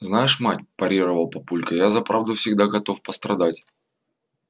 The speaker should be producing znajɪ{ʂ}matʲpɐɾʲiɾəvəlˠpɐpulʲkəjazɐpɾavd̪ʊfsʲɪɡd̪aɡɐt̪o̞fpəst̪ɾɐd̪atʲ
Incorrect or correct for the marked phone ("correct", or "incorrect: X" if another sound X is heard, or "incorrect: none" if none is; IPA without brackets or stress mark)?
correct